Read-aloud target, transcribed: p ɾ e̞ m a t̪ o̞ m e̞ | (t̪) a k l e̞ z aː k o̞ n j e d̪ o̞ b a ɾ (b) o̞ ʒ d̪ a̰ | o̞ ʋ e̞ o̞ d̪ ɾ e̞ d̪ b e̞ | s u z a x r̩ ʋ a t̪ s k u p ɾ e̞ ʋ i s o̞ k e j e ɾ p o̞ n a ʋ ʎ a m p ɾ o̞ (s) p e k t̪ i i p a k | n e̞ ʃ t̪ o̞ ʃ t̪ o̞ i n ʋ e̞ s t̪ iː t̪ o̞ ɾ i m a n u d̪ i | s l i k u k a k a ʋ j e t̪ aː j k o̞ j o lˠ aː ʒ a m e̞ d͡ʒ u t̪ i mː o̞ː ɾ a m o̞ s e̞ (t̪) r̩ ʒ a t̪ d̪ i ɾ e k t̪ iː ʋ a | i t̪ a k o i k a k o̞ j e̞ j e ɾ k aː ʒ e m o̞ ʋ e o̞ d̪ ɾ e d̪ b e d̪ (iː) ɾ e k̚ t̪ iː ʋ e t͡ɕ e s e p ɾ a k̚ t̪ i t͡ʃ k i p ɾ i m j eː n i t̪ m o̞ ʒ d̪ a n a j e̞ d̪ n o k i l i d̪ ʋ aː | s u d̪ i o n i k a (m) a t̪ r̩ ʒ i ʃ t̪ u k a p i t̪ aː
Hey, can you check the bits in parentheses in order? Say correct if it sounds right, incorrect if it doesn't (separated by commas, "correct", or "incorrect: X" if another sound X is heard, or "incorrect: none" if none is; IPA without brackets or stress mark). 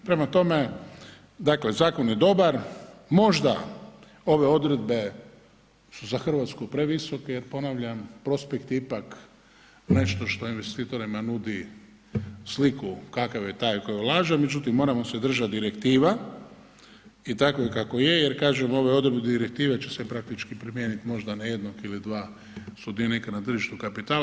incorrect: d̪, incorrect: m, correct, incorrect: d̪, incorrect: i, incorrect: n